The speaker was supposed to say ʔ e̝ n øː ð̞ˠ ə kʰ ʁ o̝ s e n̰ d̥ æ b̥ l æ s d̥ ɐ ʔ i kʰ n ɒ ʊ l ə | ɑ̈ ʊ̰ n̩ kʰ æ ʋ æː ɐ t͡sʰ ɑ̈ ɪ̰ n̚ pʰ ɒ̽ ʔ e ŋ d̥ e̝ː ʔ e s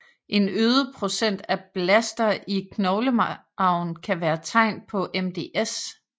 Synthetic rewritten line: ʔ e̝ n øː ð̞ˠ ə pʰ ʁ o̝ s e n̰ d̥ æ b̥ l æ s d̥ ɐ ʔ i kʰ n ɒ ʊ l ə | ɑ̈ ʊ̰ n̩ kʰ æ ʋ æː ɐ t͡sʰ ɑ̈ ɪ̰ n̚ pʰ ɒ̽ ʔ e m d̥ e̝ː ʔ e s